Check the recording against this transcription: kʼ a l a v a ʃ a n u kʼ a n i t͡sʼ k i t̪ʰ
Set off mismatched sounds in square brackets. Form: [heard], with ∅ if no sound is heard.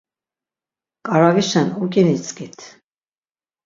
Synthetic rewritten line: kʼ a [ɾ] a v [i] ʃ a n u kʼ [i] n i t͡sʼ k i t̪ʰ